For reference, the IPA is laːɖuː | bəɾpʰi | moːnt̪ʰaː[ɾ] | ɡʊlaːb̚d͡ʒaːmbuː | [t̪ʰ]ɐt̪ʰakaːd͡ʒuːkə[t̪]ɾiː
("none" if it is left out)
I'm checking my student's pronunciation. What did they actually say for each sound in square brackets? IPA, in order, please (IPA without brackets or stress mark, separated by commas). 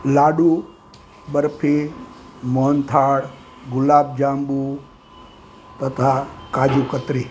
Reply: ɽ, t̪, t̪